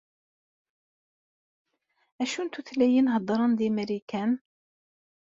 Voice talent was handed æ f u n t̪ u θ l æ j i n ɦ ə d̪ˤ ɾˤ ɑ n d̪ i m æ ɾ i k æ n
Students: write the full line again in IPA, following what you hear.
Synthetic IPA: æ ʃ u n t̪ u θ l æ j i n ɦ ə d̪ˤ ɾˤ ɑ n d̪ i m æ ɾ i k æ n